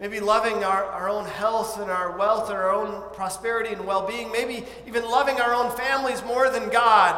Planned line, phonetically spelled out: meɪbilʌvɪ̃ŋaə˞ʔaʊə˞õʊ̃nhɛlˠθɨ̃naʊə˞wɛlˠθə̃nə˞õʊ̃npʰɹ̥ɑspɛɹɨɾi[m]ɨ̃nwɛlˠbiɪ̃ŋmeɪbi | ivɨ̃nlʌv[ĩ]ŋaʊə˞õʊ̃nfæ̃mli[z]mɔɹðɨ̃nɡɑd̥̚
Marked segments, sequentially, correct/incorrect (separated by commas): incorrect, incorrect, correct